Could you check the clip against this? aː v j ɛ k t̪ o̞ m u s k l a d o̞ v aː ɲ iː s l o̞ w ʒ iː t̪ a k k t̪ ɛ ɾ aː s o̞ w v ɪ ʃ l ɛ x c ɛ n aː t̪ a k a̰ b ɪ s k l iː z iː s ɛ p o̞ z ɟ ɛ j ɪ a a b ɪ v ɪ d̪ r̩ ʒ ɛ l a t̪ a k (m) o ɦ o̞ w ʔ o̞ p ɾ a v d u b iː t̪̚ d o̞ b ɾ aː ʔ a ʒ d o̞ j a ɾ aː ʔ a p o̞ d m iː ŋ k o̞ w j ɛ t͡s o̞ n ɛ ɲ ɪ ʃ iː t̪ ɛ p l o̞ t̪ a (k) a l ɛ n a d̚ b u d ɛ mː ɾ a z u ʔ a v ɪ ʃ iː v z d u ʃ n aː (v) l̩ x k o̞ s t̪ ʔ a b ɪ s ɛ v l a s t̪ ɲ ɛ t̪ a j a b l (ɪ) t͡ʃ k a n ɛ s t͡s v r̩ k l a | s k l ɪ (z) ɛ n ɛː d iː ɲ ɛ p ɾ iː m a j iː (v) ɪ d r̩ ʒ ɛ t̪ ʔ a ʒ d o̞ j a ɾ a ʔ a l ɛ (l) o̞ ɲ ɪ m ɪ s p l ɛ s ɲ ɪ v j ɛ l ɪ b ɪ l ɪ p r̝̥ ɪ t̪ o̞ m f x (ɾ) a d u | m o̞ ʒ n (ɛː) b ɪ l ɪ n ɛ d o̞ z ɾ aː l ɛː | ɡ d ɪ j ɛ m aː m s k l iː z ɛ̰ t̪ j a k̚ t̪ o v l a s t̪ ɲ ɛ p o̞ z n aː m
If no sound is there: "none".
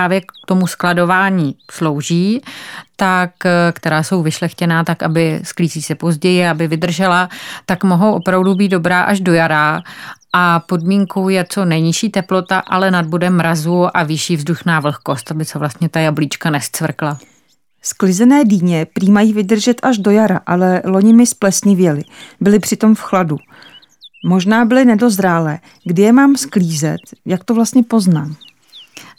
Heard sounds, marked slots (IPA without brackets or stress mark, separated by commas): m, ʔ, v, i, z, v, l, l, aː